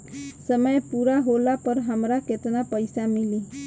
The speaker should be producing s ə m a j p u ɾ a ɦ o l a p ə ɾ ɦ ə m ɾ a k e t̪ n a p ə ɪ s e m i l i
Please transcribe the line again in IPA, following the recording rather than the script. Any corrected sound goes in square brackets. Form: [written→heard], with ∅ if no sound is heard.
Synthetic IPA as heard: s ə m [a→ə] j p u ɾ a ɦ o l a p ə ɾ ɦ ə m ɾ a k e t̪ n a p ə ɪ s [e→a] m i l i